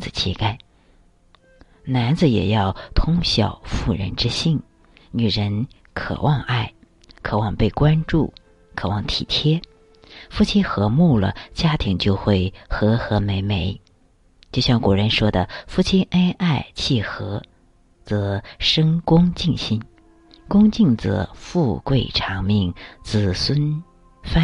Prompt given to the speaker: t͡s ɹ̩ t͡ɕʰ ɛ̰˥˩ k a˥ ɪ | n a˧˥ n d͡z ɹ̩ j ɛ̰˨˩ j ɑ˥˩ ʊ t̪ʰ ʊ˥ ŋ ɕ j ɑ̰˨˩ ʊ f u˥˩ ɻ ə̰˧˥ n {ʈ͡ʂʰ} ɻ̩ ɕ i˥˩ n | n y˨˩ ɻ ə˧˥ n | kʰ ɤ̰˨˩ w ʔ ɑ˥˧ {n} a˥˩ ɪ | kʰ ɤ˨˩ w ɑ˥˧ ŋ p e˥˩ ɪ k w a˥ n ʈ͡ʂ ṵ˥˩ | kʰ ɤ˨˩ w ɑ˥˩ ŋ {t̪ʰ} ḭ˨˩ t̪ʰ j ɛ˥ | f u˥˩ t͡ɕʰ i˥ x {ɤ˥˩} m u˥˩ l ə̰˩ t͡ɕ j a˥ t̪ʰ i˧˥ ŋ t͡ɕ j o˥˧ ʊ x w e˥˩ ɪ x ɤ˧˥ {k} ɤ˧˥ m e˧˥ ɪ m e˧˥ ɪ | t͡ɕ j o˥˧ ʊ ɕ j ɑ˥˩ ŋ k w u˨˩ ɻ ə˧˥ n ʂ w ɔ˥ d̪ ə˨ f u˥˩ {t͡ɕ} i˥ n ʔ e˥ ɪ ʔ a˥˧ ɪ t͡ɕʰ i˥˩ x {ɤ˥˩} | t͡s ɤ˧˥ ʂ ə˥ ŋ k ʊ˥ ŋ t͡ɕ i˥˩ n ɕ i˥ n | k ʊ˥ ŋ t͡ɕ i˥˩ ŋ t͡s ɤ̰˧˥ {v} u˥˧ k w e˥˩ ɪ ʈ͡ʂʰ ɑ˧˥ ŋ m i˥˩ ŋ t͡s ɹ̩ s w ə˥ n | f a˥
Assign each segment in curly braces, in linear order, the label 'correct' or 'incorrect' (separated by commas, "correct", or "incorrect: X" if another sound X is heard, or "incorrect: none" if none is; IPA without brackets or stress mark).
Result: incorrect: ʈ͡ʂ, incorrect: ŋ, correct, incorrect: ɤ˧˥, incorrect: x, incorrect: t͡ɕʰ, incorrect: ɤ˧˥, incorrect: f